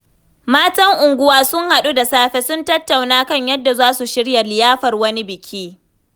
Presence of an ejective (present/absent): absent